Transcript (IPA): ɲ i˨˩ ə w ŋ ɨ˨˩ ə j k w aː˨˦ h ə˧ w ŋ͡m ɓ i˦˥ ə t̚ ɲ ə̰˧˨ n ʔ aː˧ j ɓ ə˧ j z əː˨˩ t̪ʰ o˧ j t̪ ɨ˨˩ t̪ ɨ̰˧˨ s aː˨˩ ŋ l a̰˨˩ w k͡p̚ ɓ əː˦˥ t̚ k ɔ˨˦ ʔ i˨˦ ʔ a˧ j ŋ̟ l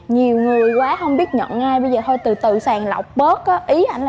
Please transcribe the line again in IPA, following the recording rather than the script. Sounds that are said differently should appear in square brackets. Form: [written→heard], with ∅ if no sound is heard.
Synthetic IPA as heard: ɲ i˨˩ ə w ŋ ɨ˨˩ ə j k w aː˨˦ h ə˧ w ŋ͡m ɓ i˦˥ ə t̚ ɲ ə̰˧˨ n ʔ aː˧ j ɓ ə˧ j z əː˨˩ t̪ʰ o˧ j t̪ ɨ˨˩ t̪ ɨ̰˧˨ s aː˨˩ ŋ l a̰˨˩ w k͡p̚ ɓ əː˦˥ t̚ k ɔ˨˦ ʔ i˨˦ ʔ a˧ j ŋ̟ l